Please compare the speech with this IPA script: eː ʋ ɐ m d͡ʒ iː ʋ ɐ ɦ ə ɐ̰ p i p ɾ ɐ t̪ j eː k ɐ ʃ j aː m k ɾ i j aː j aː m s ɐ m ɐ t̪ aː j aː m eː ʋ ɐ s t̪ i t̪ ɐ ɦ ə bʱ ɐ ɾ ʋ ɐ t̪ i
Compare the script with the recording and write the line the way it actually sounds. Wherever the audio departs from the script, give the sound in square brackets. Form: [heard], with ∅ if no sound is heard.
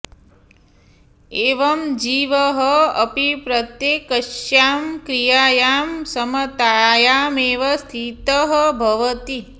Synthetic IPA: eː ʋ ɐ m d͡ʒ iː ʋ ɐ ɦ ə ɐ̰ p i p ɾ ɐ t̪ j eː k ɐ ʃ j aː m k ɾ i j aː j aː m s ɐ m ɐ t̪ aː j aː m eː ʋ ɐ s [t̪ʰ] i t̪ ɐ ɦ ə bʱ ɐ [∅] ʋ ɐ t̪ i